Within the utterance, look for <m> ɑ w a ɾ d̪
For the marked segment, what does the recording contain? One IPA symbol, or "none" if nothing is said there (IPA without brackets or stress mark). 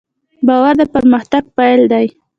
b